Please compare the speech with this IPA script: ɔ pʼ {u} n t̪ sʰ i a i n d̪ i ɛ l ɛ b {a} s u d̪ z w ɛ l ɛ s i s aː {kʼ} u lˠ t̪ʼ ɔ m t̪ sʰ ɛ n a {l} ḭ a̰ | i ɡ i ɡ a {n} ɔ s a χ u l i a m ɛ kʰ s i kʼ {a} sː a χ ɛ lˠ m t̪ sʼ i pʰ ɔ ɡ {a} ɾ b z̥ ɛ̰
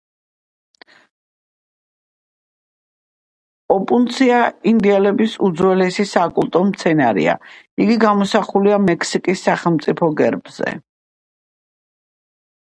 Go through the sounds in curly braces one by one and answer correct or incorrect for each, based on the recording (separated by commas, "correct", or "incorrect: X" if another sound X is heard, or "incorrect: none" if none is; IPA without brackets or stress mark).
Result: correct, incorrect: i, correct, incorrect: ɾ, incorrect: m, incorrect: i, incorrect: ɛ